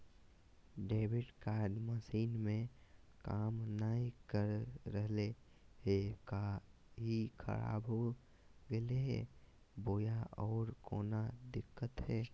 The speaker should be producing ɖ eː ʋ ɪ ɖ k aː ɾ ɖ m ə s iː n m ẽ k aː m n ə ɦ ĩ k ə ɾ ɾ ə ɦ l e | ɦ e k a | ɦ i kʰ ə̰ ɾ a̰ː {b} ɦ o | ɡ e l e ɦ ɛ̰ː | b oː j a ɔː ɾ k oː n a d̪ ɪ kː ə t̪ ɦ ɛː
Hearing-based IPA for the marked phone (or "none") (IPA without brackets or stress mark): b